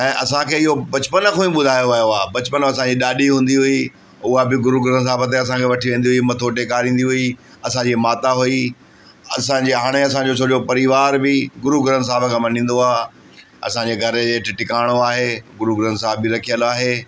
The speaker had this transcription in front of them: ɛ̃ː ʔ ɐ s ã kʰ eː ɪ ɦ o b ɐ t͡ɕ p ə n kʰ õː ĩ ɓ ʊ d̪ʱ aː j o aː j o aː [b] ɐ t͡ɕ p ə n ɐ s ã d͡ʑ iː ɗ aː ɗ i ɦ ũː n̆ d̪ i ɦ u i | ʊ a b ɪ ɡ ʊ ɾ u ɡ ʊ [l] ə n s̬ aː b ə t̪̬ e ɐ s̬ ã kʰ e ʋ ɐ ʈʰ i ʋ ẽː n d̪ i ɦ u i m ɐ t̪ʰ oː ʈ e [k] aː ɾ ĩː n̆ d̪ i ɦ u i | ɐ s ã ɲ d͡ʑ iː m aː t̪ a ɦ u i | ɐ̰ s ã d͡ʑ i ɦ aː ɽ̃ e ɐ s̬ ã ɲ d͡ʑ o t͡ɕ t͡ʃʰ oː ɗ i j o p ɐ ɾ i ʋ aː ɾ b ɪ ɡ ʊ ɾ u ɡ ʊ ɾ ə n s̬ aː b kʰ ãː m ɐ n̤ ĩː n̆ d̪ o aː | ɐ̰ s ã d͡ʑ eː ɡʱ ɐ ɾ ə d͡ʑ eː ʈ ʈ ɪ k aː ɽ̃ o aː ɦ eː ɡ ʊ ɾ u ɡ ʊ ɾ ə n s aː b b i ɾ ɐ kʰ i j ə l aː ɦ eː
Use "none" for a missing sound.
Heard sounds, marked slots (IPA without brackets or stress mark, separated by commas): b, ɾ, k